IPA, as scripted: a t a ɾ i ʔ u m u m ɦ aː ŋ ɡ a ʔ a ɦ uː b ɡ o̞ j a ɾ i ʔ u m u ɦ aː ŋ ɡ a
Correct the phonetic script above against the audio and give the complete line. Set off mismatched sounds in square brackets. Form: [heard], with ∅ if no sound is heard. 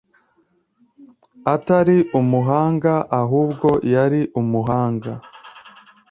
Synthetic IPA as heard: a t a ɾ i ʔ u m u [∅] ɦ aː ŋ ɡ a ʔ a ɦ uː b ɡ o̞ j a ɾ i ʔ u m u ɦ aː ŋ ɡ a

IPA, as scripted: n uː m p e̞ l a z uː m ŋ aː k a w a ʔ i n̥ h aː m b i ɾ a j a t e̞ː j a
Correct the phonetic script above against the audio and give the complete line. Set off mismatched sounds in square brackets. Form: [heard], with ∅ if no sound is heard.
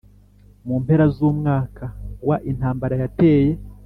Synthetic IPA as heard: [m] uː m p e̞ [ɾ] a z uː m ŋ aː k a w a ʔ i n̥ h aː m b [a] ɾ a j a t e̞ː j [e]

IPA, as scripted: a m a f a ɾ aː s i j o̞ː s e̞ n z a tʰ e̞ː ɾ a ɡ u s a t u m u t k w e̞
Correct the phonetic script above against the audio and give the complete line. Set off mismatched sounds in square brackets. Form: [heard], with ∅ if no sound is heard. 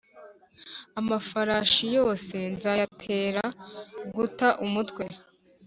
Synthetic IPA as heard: a m a f a ɾ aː [ʃ] i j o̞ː s e̞ n z a tʰ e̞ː ɾ a ɡ u [t] a [ʔ] u m u t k w e̞

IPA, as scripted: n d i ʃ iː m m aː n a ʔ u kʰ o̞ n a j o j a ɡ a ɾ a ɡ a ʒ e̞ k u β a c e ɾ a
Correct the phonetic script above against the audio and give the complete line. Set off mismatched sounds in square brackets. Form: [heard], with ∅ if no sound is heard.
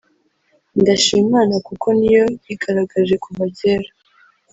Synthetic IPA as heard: n d [a] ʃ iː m m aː n a [k] u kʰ o̞ n [i] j o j [i] ɡ a ɾ a ɡ a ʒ e̞ k u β a [ɟ] e ɾ a

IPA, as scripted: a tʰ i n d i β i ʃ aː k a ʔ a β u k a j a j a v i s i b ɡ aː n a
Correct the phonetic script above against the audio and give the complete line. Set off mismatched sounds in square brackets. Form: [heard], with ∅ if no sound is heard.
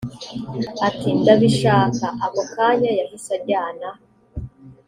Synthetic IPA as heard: a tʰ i n d [a] β i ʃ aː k a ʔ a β [o] k a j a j a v i s [a] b [ɟ] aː n a

